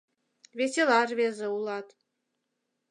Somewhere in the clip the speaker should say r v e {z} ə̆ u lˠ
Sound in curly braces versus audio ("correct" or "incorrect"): correct